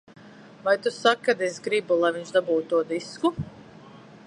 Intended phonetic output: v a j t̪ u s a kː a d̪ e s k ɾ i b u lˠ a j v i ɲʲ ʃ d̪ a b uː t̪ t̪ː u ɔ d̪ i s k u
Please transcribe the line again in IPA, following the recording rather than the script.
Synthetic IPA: v a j t̪ u s a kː a d̪ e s ɡ ɾ i b u lˠ a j v i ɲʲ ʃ d̪ a b uː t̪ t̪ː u ɔ d̪ i s k u

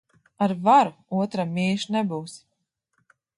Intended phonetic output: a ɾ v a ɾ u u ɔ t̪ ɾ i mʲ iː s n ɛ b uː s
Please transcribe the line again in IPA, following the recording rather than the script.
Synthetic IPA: a ɾ v a ɾ u u ɔ t̪ ɾ a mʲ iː ʃ n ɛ b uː s

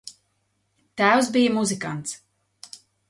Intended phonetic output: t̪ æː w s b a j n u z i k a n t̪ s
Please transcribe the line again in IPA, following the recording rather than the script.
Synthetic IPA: t̪ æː w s b i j m u z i k a n t̪ s

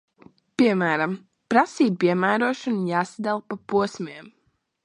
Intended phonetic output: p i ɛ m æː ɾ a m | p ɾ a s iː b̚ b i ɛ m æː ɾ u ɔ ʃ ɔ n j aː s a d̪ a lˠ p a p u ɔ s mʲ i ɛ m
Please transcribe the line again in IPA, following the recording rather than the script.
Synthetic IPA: p i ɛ m æː ɾ a m | p ɾ a s iː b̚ p i ɛ m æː ɾ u ɔ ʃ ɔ n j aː s a d̪ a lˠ p a p u ɔ s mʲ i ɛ m

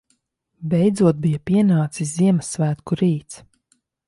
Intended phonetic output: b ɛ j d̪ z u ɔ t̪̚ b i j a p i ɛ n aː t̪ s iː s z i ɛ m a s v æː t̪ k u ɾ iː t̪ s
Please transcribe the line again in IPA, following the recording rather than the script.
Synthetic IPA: b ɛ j d̪ z u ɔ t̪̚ b i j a p i ɛ n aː t̪ s i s z i ɛ m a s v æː t̪ k u ɾ iː t̪ s

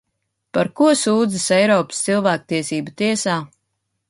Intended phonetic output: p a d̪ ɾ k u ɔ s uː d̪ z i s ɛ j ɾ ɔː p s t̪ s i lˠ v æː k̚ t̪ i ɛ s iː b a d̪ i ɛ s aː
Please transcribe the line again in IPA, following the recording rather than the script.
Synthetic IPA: p a ɾ k u ɔ s uː d̪ z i s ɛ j ɾ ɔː p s t̪ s i lˠ v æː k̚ t̪ i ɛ s iː b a t̪ i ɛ s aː

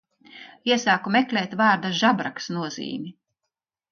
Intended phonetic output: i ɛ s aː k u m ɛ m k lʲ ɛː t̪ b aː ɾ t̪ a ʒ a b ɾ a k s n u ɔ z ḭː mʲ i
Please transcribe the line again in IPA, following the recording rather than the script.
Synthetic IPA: i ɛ s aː k u m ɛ k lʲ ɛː t̪ v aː ɾ d̪ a ʒ a b ɾ a k s n u ɔ z ḭː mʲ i

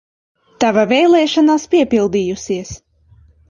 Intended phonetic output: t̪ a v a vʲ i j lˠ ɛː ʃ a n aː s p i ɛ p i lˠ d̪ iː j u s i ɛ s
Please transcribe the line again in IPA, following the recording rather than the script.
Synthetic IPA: t̪ a v a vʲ ɛ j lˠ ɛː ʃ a n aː s p i ɛ p i lˠ d̪ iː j u s i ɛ s

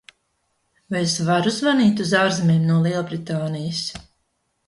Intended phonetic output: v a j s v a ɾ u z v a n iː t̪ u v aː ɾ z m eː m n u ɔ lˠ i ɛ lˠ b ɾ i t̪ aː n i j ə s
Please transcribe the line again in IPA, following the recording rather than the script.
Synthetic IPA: v a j s v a ɾ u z v a n iː t̪ u z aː ɾ z m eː m n u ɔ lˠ i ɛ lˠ b ɾ i t̪ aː n i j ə s

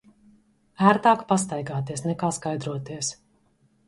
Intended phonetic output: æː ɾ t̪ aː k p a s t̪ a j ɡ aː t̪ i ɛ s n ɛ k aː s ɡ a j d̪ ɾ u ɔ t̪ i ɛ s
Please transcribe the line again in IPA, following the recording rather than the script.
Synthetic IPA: æː ɾ t̪ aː k p a s t̪ a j ɡ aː t̪ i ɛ s n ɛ k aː s k a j d̪ ɾ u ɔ t̪ i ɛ s

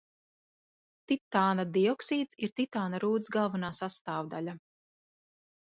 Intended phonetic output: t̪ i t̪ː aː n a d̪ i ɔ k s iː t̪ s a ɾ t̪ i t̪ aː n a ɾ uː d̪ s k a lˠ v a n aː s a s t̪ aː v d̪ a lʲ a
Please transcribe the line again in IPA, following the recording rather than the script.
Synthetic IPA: t̪ i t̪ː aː n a d̪ i ɔ k s iː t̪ s i ɾ t̪ i t̪ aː n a ɾ uː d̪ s ɡ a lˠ v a n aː s a s t̪ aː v d̪ a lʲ a

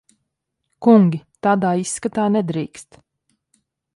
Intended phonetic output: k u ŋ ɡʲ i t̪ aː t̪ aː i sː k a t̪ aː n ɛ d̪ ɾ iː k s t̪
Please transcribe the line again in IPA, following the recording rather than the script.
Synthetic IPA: k u ŋ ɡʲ i t̪ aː d̪ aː i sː k a t̪ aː n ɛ d̪ ɾ iː k s t̪

